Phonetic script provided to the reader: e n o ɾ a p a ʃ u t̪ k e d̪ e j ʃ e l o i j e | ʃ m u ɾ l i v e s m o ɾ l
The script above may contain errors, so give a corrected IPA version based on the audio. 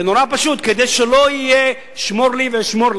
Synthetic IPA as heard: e n o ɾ a p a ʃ u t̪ k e d̪ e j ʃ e l o i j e | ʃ m o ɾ l i v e ʃ m o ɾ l